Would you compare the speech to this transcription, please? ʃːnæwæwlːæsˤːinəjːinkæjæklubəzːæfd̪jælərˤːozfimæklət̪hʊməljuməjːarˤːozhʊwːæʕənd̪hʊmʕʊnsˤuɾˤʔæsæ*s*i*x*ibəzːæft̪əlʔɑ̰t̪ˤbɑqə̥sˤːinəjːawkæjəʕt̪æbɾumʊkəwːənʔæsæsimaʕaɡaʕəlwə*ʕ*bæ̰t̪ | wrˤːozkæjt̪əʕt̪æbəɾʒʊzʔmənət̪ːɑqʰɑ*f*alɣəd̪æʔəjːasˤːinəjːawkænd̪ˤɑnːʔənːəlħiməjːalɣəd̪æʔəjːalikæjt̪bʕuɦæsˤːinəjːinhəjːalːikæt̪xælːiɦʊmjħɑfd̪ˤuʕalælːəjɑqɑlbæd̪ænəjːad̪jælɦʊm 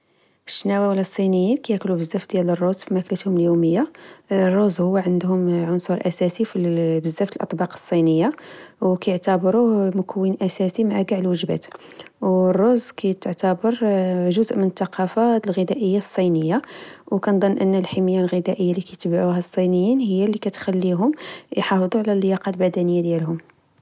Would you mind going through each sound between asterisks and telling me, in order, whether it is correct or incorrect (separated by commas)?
correct, incorrect, incorrect, correct